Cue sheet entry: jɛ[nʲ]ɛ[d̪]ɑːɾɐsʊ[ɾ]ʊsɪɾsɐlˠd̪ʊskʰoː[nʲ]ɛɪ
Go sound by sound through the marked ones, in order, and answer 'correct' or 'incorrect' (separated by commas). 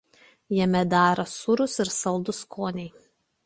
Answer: incorrect, correct, correct, correct